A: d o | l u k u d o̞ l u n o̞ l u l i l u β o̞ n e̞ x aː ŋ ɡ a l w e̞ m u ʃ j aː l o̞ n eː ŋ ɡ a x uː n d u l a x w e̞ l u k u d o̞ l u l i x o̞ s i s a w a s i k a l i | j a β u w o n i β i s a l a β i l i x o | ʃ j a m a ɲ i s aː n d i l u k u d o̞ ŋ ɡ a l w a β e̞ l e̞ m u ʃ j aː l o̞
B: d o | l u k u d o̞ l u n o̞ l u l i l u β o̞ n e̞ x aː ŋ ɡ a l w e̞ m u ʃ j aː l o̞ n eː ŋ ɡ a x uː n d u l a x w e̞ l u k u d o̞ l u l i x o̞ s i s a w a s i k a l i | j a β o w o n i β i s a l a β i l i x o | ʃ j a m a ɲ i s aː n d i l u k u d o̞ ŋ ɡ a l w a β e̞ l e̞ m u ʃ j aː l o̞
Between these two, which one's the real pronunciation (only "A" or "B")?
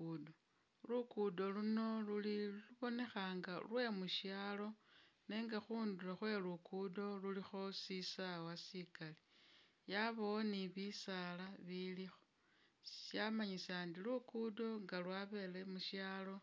B